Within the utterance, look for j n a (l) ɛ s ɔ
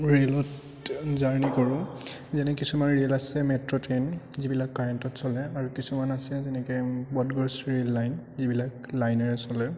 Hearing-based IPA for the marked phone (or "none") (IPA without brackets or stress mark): ɹ